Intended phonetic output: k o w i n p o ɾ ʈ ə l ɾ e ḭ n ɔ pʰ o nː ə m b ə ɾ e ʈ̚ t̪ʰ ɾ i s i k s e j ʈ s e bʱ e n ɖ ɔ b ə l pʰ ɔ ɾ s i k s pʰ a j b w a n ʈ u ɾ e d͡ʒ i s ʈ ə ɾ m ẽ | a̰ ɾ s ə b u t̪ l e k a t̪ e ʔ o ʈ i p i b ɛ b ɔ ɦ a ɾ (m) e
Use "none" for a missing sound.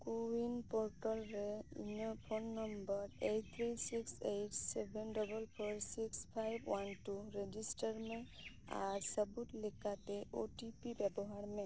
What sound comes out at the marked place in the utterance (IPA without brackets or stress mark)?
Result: m